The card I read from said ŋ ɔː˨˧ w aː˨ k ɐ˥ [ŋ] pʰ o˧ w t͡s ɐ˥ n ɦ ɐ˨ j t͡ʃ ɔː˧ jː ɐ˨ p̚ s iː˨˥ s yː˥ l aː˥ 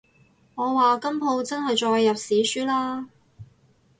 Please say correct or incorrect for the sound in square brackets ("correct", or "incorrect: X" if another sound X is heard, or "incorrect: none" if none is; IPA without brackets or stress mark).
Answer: incorrect: m